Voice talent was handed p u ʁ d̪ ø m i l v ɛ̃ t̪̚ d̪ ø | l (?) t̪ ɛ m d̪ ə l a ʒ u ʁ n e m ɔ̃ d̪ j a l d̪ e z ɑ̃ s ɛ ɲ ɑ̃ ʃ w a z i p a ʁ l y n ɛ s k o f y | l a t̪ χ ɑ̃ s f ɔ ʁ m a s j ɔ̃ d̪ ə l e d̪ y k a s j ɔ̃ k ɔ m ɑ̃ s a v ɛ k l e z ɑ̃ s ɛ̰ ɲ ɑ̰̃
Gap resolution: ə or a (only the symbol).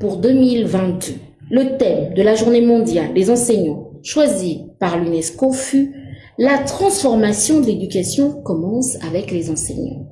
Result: ə